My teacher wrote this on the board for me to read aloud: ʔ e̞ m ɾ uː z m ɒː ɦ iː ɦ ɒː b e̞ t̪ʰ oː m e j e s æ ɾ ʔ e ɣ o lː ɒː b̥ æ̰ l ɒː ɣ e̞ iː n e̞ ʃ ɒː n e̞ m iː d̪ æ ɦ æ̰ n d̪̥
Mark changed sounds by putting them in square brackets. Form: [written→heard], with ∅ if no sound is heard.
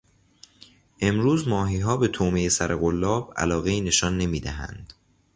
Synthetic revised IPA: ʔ e̞ m ɾ uː z m ɒː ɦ iː ɦ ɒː b e̞ t̪ʰ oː m e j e s æ ɾ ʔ e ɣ o lː ɒː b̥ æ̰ l ɒː ɣ e̞ iː n e̞ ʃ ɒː [n→nː] e̞ m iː d̪ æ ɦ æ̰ n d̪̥

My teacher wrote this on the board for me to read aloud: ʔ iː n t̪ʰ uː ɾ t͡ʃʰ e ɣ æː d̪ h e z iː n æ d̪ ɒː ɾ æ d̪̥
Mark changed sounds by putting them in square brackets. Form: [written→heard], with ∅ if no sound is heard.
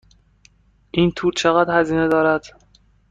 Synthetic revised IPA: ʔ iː n t̪ʰ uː ɾ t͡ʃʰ e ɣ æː d̪ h [e→æ] z iː n [æ→e] d̪ ɒː ɾ æ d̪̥

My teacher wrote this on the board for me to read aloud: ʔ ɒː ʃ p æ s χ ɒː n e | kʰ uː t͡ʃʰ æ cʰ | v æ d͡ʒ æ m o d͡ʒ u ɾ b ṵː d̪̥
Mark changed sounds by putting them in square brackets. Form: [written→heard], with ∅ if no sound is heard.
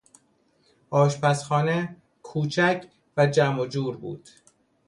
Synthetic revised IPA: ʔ ɒː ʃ p æ s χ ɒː n e | kʰ uː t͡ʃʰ æ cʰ | v æ d͡ʒ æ m o d͡ʒ [u→uː] ɾ b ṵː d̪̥

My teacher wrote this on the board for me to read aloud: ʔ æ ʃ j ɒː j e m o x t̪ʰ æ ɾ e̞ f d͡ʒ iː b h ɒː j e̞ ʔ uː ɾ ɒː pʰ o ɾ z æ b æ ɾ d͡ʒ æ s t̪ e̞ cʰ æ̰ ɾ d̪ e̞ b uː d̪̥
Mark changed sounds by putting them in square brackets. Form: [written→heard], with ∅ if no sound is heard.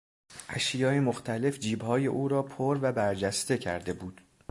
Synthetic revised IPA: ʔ æ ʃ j ɒː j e m o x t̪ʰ æ [ɾ→l] e̞ f d͡ʒ iː b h ɒː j e̞ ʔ uː ɾ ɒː pʰ o ɾ [z→v] æ b æ ɾ d͡ʒ æ s t̪ e̞ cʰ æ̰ ɾ d̪ e̞ b uː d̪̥

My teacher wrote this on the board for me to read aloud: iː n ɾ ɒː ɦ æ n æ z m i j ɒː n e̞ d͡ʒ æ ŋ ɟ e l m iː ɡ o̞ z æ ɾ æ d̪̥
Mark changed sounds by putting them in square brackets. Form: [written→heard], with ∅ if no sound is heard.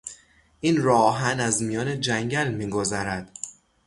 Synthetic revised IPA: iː n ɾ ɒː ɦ æ n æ z m i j ɒː n e̞ d͡ʒ æ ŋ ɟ [e→æ] l m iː ɡ o̞ z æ ɾ æ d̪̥

